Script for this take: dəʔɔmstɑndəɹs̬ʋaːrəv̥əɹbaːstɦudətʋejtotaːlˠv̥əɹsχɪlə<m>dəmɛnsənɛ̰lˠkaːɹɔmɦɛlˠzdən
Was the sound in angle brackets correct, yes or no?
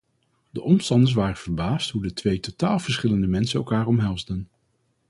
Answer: no